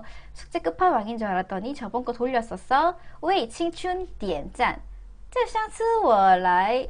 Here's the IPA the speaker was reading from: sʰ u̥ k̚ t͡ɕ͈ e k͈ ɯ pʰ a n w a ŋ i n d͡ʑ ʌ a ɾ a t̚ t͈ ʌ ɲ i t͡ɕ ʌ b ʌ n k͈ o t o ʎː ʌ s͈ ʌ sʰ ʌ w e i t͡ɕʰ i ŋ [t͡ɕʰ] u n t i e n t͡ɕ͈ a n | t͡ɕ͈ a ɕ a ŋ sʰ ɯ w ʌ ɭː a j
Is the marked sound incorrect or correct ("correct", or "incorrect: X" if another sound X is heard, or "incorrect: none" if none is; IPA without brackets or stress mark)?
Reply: correct